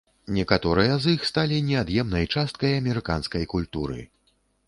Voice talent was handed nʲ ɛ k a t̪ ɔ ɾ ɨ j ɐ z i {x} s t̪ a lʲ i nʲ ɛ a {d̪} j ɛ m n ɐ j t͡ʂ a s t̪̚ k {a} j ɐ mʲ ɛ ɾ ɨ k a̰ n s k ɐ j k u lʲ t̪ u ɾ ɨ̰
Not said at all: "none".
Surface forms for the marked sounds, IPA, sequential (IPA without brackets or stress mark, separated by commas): x, d̪, ɐ